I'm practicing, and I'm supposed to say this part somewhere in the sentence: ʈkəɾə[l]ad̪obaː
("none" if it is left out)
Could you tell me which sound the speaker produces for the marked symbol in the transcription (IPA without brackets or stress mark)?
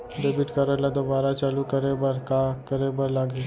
l